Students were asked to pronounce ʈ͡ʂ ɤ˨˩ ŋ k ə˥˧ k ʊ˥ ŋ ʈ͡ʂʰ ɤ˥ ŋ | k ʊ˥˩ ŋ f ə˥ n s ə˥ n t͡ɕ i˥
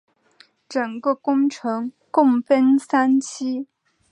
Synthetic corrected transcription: ʈ͡ʂ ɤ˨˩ ŋ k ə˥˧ k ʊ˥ ŋ ʈ͡ʂʰ ɤ˧˥ ŋ | k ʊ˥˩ ŋ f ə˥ n s a˥ n t͡ɕʰ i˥

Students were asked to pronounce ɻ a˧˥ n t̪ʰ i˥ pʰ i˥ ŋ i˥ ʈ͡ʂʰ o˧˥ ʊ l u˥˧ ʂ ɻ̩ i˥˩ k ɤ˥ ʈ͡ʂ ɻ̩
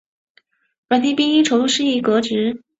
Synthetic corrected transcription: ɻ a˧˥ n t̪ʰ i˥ p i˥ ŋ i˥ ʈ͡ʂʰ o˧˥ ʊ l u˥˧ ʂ ɻ̩ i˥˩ k ɤ˧˥ ʈ͡ʂ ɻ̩

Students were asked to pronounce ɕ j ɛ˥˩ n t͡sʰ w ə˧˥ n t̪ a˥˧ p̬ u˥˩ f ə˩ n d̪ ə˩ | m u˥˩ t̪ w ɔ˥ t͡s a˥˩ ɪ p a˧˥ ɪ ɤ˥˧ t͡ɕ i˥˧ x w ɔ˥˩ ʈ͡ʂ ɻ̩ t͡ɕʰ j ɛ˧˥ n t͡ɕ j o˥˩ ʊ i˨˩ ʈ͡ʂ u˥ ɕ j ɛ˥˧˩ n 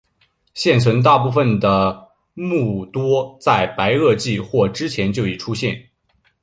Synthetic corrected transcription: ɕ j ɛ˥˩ n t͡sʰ w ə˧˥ n t̪ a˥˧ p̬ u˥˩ f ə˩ n d̪ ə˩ | m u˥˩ t̪ w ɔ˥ t͡s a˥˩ ɪ p a˧˥ ɪ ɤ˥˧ t͡ɕ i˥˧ x w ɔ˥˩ ʈ͡ʂ ɻ̩ t͡ɕʰ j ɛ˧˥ n t͡ɕ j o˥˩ ʊ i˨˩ ʈ͡ʂʰ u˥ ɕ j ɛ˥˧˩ n

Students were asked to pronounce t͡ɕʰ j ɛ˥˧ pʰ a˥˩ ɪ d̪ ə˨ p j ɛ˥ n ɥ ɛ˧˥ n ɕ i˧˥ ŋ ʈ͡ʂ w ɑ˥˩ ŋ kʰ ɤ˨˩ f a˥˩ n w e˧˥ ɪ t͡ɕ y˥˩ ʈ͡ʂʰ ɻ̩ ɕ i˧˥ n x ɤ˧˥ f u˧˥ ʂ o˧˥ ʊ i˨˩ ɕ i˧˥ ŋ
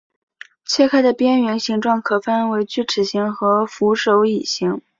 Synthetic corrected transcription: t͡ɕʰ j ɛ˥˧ kʰ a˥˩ ɪ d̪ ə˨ p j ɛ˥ n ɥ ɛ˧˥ n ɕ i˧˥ ŋ ʈ͡ʂ w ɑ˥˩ ŋ kʰ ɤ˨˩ f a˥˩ n w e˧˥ ɪ t͡ɕ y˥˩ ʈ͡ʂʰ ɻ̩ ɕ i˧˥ ŋ x ɤ˧˥ f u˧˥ ʂ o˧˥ ʊ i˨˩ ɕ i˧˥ ŋ

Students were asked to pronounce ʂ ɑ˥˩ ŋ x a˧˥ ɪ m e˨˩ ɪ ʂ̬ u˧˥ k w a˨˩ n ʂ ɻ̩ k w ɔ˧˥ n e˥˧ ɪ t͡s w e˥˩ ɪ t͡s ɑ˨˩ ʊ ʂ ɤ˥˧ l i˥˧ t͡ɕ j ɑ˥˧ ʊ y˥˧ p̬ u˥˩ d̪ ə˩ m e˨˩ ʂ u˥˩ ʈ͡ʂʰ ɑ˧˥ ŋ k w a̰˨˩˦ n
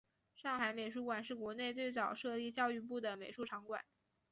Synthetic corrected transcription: ʂ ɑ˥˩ ŋ x a˧˥ ɪ m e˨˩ ɪ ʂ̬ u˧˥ k w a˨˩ n ʂ ɻ̩ k w ɔ˧˥ n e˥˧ ɪ t͡s w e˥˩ ɪ t͡s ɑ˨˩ ʊ ʂ ɤ˥˧ l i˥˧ t͡ɕ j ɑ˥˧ ʊ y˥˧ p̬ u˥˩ d̪ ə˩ m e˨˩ ʂ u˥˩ ʈ͡ʂʰ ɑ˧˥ ŋ k w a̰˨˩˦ n

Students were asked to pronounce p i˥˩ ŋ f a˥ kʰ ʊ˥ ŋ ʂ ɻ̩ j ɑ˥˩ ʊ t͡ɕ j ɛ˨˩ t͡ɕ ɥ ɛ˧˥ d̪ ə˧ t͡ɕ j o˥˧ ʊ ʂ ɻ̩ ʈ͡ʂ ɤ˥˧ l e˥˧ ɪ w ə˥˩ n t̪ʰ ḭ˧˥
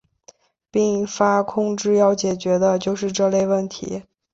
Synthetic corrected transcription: p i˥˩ ŋ f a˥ kʰ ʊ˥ ŋ ʈ͡ʂ ɻ̩ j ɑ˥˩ ʊ t͡ɕ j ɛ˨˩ t͡ɕ ɥ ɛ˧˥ d̪ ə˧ t͡ɕ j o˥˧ ʊ ʂ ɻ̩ ʈ͡ʂ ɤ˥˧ l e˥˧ ɪ w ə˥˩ n t̪ʰ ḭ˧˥

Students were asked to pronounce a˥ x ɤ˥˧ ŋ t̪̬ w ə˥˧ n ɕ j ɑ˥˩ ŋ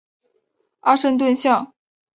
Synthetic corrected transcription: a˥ ʂ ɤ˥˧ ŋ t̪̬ w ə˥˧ n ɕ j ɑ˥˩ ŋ

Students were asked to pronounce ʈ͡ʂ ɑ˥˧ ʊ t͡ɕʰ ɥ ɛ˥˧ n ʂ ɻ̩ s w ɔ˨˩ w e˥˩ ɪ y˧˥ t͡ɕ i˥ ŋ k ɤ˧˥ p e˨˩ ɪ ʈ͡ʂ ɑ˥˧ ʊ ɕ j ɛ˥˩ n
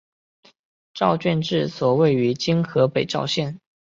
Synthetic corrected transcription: ʈ͡ʂ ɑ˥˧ ʊ t͡ɕ ɥ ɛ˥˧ n ʈ͡ʂ ɻ̩ s w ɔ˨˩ w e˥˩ ɪ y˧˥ t͡ɕ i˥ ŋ x ɤ˧˥ p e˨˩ ɪ ʈ͡ʂ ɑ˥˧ ʊ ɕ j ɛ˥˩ n

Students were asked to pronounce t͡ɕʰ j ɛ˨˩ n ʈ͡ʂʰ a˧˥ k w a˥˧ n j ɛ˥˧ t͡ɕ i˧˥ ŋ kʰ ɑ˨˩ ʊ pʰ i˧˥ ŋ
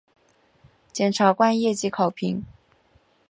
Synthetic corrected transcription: t͡ɕ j ɛ˨˩ n ʈ͡ʂʰ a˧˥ k w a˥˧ n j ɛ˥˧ t͡ɕ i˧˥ kʰ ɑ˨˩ ʊ pʰ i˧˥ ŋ

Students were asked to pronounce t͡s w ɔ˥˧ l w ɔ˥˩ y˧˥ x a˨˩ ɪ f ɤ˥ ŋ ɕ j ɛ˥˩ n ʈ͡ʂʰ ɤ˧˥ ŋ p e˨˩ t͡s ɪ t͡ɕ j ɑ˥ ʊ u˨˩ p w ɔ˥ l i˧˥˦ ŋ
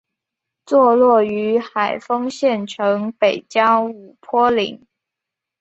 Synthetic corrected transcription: t͡s w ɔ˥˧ l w ɔ˥˩ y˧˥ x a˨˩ ɪ f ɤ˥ ŋ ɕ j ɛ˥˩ n ʈ͡ʂʰ ɤ˧˥ ŋ p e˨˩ ɪ t͡ɕ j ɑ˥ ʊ u˨˩ pʰ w ɔ˥ l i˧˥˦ ŋ

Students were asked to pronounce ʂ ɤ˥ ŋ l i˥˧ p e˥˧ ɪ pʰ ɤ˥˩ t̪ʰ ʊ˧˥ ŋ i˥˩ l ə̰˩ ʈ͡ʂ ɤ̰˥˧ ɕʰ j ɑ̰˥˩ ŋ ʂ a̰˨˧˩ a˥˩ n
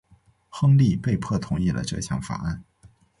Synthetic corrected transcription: x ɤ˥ ŋ l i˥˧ p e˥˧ ɪ pʰ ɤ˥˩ t̪ʰ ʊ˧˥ ŋ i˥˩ l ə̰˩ ʈ͡ʂ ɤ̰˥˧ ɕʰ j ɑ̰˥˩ ŋ f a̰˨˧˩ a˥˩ n

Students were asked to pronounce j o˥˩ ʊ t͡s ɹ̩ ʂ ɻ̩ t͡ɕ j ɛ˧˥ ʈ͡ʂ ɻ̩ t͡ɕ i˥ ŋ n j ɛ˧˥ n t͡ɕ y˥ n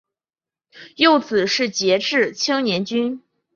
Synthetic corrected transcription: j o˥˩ ʊ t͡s ɹ̩ ʂ ɻ̩ t͡ɕ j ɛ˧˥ ʈ͡ʂ ɻ̩ t͡ɕʰ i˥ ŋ n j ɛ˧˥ n t͡ɕ y˥ n

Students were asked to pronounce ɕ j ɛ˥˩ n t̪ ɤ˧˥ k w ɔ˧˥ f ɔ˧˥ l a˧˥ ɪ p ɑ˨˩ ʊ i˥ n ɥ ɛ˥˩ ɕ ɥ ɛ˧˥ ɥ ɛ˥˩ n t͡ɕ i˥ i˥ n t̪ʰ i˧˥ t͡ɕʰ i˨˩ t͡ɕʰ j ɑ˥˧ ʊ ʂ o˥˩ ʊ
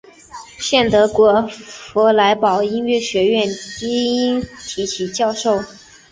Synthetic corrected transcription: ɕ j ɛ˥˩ n t̪ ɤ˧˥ k w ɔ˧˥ f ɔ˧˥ l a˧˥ ɪ p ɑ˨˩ ʊ i˥ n ɥ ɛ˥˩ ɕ ɥ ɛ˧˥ ɥ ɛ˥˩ n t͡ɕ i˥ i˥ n t̪ʰ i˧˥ t͡ɕʰ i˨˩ t͡ɕ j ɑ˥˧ ʊ ʂ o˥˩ ʊ

